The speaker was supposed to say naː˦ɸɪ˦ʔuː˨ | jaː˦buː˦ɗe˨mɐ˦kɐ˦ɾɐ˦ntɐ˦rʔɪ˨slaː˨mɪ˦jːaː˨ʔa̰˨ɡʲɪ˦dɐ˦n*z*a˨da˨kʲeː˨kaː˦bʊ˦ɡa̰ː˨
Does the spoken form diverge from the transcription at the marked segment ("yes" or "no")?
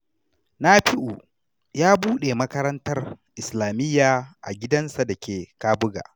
yes